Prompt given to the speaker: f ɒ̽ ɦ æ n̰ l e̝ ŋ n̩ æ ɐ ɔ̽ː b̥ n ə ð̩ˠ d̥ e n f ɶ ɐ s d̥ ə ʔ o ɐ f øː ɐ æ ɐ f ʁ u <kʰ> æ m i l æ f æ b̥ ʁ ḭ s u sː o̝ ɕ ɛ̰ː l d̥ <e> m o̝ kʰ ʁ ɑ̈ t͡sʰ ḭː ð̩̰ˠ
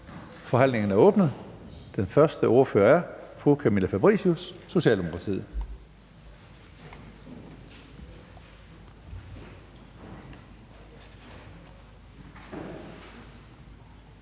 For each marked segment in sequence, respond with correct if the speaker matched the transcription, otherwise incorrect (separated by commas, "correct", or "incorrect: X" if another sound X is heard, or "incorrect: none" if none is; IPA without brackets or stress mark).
correct, correct